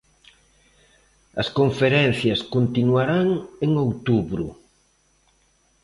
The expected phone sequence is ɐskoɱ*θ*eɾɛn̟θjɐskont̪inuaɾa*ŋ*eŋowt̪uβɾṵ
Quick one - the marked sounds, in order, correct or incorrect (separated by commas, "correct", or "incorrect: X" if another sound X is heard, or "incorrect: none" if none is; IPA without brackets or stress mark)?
incorrect: f, correct